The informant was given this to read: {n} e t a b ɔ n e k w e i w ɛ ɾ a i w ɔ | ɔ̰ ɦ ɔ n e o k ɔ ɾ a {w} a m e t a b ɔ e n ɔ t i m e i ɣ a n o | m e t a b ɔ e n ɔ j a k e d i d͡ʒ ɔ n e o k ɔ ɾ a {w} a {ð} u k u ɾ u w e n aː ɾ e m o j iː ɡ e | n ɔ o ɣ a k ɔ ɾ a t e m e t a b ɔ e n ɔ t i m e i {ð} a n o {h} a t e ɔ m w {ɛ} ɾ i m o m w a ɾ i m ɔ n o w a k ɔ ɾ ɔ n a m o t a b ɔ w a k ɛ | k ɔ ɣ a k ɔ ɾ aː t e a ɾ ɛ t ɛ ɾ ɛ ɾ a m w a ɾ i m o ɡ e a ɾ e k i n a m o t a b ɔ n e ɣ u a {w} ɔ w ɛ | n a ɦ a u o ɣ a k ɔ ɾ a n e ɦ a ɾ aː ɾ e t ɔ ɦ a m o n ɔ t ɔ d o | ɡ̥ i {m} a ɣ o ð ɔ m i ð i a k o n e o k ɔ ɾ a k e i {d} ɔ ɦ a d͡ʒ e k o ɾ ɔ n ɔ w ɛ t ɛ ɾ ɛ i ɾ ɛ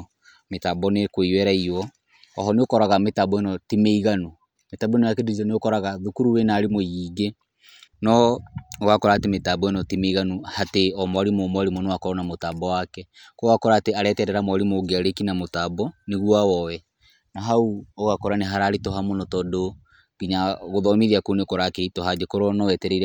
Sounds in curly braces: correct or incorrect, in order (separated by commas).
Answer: incorrect, incorrect, incorrect, correct, incorrect, correct, incorrect, correct, incorrect, incorrect